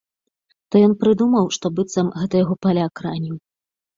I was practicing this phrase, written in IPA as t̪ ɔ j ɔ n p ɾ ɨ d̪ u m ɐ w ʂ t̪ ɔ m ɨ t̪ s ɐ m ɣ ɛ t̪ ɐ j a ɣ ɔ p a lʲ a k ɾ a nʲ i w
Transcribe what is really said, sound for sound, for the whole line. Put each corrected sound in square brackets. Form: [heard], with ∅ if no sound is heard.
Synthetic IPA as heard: t̪ ɔ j ɔ n p ɾ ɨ d̪ u m ɐ w ʂ t̪ ɔ [b] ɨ t̪ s ɐ m ɣ ɛ t̪ ɐ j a ɣ ɔ p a lʲ a k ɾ a nʲ i w